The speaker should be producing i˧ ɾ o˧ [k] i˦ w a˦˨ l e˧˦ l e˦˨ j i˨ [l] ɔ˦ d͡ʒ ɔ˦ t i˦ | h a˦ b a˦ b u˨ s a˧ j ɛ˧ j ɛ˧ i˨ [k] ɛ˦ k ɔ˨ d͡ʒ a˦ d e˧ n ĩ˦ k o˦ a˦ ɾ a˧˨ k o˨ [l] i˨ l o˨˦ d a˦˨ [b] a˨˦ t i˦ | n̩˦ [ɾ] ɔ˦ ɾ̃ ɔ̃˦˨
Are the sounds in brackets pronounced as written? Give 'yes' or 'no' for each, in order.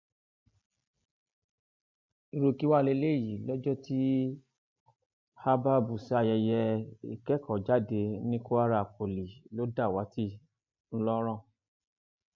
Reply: yes, yes, yes, yes, no, no

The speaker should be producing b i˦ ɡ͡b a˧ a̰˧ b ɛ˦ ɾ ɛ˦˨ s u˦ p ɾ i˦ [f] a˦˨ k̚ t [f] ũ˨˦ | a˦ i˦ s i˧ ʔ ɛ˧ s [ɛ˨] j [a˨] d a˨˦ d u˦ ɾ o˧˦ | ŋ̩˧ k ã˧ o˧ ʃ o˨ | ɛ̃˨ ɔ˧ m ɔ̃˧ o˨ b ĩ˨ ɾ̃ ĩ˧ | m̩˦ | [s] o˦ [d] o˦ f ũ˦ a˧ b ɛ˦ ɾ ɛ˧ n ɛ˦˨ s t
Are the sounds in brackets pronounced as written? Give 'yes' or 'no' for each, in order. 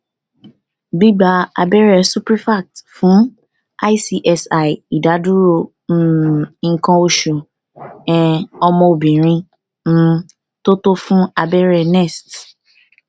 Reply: yes, yes, no, no, no, no

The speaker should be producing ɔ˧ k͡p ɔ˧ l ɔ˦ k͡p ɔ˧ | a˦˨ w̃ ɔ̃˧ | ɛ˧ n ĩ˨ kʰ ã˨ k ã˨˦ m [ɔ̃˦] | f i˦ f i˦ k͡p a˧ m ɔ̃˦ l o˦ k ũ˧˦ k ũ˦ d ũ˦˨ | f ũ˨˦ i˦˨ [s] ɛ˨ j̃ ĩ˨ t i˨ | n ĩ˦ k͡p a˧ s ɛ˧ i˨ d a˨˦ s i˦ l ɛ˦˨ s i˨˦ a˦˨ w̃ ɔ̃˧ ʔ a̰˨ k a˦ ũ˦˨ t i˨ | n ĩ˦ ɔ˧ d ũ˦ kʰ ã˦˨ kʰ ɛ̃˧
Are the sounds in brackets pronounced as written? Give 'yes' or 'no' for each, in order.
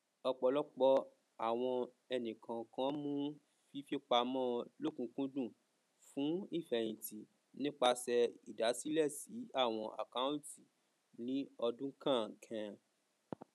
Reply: no, no

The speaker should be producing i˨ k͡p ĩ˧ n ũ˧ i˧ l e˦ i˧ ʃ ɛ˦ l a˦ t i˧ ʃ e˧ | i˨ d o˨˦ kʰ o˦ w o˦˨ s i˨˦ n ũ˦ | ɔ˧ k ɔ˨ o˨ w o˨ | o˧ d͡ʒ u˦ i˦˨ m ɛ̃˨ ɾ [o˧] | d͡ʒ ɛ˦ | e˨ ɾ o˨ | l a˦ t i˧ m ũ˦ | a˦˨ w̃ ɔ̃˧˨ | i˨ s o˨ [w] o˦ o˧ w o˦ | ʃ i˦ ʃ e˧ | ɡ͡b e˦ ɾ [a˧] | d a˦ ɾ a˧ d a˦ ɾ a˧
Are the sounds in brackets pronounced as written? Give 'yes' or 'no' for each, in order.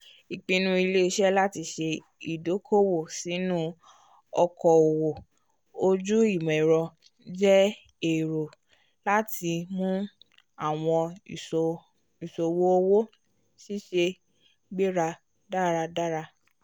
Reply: no, yes, yes

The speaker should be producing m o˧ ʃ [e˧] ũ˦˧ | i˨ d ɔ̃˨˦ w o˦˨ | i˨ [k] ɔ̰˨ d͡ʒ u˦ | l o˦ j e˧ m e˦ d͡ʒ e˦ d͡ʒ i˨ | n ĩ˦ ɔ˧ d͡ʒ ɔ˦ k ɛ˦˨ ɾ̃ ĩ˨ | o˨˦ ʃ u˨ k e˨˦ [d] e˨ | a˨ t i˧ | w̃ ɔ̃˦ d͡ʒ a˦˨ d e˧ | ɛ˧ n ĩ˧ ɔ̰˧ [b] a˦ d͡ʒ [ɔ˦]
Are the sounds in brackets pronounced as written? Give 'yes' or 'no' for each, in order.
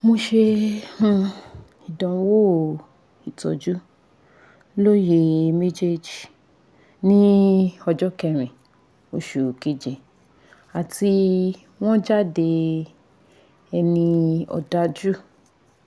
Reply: yes, no, no, no, no

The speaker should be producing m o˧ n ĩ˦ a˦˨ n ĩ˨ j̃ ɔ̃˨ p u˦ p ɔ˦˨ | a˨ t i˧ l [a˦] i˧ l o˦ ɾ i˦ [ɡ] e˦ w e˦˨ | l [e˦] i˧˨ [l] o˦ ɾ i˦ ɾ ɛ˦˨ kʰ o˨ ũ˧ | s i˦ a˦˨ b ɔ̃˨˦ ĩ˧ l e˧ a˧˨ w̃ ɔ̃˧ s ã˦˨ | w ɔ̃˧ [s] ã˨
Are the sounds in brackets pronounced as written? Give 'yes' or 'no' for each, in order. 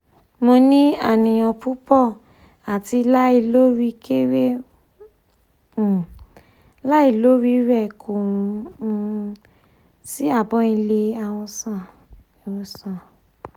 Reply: yes, no, no, yes, yes

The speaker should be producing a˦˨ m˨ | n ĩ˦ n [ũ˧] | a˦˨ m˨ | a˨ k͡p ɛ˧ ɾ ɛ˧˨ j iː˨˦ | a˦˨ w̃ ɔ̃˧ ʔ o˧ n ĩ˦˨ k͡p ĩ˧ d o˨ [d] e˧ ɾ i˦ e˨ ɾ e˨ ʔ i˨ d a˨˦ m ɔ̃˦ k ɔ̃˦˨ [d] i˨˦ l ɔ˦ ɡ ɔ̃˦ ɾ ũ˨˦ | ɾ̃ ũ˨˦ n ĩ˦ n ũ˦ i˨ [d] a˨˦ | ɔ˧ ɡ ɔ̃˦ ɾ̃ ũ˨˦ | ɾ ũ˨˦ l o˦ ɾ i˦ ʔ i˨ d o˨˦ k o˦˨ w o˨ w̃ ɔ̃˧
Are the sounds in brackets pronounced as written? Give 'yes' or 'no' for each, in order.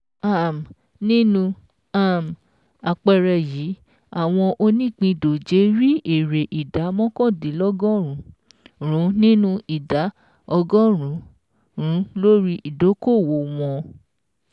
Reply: yes, no, yes, yes

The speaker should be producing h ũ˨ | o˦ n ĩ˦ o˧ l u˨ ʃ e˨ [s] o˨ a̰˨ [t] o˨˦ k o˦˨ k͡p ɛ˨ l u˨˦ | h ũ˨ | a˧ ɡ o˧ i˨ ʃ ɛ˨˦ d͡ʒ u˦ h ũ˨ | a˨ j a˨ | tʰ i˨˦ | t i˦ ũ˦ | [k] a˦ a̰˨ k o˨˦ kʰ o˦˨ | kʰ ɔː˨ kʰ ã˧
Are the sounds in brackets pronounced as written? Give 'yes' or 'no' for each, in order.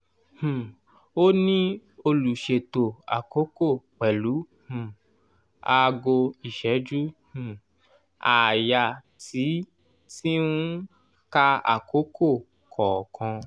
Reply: no, no, yes

